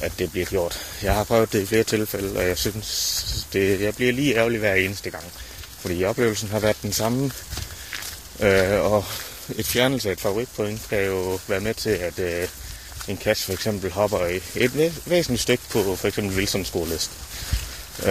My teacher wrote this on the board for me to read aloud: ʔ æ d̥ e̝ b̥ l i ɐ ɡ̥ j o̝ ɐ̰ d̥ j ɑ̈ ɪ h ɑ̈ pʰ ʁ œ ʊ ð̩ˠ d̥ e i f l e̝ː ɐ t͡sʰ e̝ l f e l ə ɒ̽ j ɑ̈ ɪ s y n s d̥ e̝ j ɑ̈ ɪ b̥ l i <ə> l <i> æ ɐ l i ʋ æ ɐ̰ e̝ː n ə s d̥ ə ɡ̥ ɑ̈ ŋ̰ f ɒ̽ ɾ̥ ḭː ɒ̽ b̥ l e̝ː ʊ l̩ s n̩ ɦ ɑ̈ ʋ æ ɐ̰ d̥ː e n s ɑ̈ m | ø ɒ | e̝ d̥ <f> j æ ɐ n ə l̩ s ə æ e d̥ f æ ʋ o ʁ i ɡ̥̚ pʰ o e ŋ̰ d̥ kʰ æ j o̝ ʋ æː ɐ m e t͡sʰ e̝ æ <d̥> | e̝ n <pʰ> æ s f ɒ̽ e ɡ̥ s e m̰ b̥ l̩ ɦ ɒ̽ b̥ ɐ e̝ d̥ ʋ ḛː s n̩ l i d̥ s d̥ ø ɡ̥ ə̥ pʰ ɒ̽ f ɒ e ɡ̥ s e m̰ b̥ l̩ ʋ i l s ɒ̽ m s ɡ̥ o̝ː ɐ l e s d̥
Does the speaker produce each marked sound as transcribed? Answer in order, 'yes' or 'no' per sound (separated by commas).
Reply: no, no, yes, yes, no